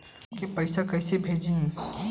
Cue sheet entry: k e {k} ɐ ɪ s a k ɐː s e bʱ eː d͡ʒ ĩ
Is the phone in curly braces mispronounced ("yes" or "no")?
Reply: yes